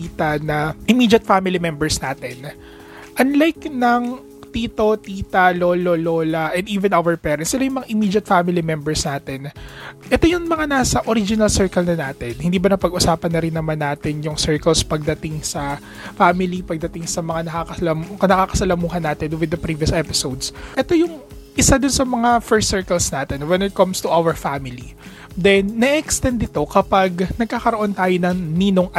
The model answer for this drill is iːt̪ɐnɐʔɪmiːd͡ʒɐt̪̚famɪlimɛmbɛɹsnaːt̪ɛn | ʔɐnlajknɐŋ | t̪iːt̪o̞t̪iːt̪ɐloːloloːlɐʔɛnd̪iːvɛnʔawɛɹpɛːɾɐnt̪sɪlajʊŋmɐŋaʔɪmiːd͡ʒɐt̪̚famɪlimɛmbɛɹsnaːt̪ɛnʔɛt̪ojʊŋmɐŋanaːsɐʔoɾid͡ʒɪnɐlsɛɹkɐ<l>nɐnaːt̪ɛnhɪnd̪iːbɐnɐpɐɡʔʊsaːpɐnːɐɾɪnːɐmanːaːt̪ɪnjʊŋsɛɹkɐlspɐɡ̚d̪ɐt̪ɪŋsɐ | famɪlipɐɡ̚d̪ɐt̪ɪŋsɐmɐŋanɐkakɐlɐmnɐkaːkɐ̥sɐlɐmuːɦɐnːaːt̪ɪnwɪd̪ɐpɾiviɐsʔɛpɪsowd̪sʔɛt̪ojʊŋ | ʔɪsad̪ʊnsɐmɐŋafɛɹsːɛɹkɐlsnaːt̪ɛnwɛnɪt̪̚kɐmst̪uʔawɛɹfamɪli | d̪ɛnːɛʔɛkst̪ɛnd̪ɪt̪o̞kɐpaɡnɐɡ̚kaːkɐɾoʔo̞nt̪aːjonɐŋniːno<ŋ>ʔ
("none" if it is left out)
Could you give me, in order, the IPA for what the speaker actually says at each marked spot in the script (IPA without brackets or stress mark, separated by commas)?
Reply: l, ŋ